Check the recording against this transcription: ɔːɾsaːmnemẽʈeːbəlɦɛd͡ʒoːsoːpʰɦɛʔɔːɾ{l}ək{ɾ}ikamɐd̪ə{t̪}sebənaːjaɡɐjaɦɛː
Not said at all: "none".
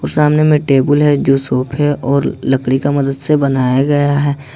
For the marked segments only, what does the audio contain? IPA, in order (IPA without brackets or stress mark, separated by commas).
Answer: l, ɽ, d̪